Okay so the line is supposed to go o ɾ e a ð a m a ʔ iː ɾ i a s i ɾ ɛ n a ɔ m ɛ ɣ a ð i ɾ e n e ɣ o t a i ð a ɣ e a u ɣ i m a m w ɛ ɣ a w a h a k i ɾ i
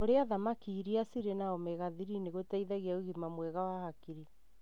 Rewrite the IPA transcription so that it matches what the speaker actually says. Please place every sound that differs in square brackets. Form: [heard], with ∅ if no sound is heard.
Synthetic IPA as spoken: o ɾ e a ð a m a [k] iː ɾ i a s i ɾ [e] n a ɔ m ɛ ɣ a ð i ɾ [i] n e ɣ o t a i ð a ɣ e a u ɣ i m a m w ɛ ɣ a w a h a k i ɾ i